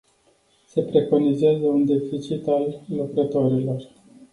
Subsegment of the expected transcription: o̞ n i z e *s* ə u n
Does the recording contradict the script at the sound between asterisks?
yes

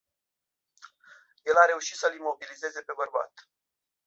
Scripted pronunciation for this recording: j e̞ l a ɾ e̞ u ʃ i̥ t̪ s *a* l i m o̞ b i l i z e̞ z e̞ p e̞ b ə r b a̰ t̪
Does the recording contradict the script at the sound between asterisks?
yes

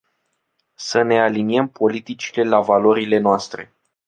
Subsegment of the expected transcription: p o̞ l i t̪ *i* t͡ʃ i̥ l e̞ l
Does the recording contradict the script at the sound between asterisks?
no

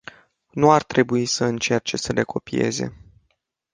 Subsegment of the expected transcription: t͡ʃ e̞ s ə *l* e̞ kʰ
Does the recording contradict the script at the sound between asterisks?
no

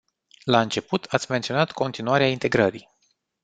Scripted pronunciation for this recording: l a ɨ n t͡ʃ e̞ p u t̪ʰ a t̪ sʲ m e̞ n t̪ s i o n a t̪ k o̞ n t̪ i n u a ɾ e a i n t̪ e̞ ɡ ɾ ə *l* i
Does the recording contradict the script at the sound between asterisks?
yes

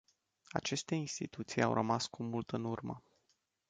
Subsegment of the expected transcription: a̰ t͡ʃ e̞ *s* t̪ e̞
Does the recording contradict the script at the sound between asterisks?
no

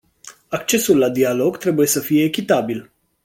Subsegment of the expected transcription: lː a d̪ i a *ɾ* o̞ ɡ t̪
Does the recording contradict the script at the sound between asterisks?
yes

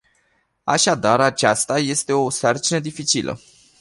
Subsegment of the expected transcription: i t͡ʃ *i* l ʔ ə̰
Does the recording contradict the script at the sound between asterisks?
no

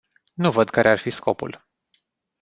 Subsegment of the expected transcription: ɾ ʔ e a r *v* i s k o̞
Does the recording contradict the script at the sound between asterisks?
yes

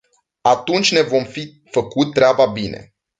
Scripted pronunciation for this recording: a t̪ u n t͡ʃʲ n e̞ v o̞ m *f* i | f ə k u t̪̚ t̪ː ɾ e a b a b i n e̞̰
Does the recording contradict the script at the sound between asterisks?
no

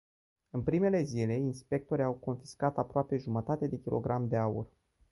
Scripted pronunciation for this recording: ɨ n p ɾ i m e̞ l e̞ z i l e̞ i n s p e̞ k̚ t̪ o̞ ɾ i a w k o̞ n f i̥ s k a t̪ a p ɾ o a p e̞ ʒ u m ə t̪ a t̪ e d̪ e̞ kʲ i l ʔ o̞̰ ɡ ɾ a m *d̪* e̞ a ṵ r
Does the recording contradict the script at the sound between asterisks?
no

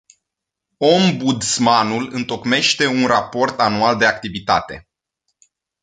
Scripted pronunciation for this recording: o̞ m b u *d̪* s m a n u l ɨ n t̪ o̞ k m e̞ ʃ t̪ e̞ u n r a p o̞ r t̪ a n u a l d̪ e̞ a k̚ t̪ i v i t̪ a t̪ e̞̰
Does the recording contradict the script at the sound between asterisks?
no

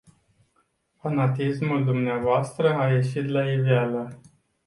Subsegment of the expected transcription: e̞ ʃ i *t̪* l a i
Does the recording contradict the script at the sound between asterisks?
no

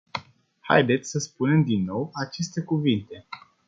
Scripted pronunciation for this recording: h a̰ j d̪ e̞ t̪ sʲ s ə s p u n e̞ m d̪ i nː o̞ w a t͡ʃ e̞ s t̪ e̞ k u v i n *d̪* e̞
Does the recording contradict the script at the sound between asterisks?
yes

